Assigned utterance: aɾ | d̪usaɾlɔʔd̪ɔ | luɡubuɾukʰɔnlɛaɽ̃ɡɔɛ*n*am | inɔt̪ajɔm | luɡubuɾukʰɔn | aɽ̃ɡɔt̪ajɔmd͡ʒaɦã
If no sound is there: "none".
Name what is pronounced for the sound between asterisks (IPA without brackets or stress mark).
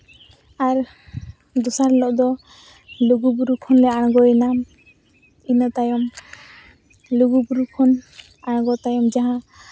n